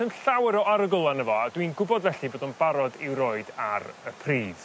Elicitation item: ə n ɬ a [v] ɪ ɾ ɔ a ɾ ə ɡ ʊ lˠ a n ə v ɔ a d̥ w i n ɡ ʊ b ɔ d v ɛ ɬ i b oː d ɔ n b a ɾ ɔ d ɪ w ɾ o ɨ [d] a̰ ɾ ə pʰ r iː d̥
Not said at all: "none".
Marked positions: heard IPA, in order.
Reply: w, d

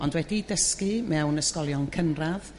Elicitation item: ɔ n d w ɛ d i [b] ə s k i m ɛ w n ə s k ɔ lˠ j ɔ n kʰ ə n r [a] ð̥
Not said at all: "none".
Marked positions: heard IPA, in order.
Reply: d, a

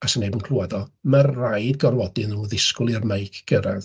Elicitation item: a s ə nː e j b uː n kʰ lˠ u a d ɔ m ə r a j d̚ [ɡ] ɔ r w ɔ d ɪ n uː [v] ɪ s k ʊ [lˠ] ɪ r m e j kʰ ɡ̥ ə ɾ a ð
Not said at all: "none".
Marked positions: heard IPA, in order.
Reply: ɡ, ð, lˠ

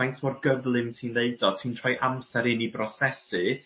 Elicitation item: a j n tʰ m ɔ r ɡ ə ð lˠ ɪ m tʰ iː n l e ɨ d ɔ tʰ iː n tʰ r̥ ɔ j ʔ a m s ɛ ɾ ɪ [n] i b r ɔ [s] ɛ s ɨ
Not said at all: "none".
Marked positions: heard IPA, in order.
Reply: n, s

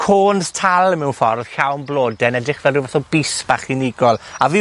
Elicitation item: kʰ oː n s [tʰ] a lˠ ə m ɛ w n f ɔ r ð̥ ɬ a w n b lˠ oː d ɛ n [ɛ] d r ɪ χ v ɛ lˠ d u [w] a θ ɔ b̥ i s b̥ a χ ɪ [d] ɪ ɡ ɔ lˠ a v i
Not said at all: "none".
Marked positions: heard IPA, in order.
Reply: tʰ, ɛ, v, n

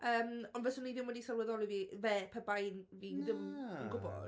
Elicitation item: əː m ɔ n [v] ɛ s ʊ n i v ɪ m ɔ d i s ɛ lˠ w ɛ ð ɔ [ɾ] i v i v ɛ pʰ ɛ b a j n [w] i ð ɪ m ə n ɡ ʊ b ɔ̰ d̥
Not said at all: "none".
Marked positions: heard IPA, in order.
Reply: v, l, v

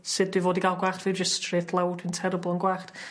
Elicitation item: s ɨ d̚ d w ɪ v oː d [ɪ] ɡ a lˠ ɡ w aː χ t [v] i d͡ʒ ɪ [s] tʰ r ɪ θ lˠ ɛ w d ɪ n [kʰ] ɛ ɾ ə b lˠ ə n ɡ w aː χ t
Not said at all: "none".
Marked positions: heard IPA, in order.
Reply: i, v, s, tʰ

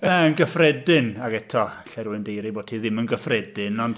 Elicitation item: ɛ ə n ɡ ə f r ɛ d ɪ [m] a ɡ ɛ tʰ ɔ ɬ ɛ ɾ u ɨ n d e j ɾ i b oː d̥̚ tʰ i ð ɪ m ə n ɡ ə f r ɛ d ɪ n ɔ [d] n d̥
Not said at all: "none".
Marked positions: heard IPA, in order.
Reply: n, none

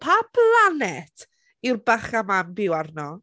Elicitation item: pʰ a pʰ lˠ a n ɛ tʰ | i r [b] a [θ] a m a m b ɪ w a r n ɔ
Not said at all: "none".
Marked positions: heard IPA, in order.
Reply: b, χ

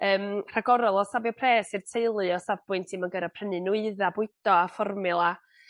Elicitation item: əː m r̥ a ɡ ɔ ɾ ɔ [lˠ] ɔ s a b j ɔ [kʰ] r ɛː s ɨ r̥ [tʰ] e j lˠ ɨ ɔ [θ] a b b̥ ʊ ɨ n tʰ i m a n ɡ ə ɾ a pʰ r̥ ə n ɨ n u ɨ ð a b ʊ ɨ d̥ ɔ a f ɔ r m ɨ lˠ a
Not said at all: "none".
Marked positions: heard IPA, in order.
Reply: lˠ, pʰ, tʰ, s

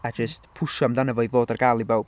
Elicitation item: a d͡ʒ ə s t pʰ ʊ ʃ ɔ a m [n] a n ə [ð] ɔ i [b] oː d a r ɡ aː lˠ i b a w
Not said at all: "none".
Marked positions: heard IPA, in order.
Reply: d, v, v

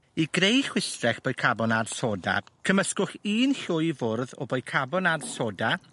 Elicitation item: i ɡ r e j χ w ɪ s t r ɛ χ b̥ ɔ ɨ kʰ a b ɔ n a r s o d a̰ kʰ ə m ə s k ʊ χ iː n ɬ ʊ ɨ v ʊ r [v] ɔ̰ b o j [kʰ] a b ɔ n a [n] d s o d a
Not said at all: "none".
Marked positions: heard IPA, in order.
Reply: ð, kʰ, none

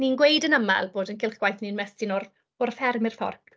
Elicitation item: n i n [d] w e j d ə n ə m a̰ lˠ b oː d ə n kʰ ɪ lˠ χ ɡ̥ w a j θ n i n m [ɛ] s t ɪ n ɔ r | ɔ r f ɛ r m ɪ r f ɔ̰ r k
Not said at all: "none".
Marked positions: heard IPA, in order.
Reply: ɡ, ɛ

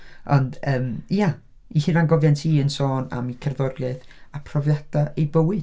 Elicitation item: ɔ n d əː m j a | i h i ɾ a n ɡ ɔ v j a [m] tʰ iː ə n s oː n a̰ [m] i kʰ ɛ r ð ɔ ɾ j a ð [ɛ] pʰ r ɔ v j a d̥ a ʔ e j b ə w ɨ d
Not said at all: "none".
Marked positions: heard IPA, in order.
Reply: n, m, a

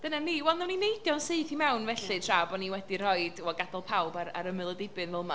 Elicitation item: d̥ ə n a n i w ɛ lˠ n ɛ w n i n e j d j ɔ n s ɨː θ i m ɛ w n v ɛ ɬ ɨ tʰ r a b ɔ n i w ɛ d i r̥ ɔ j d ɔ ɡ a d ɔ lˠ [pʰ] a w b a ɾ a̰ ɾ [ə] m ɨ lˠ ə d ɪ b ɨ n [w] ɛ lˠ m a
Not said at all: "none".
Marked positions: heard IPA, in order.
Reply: pʰ, ə, v

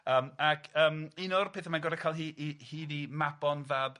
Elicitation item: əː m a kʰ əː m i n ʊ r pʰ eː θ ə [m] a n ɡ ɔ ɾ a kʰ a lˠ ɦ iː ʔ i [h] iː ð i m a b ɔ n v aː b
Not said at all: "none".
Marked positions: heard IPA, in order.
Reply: m, h

